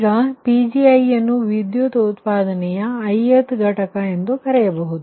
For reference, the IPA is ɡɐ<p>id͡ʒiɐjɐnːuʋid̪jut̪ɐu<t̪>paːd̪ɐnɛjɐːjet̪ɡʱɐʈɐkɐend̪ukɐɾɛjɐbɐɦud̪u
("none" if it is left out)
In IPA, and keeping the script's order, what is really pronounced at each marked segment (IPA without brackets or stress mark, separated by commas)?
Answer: p, t̪